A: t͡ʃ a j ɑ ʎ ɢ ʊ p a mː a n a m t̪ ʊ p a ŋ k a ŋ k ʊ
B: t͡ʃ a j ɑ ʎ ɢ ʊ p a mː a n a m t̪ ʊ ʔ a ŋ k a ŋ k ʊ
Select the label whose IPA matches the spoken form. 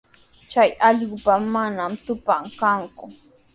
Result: A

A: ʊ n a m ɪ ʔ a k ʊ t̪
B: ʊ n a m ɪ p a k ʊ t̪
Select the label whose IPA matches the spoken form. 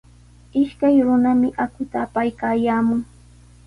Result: A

